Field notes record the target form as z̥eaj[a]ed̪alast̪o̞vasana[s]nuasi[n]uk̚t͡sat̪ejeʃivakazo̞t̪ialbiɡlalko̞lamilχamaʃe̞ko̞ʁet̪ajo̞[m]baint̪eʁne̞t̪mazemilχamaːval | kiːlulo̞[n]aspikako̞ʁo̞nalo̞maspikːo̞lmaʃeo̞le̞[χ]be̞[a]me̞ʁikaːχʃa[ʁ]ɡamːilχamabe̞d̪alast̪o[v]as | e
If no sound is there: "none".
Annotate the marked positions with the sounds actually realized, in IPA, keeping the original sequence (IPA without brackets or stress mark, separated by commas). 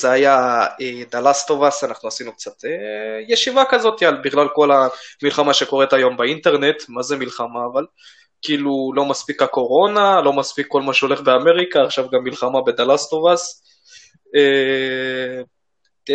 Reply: a, χ, n, m, m, χ, a, v, v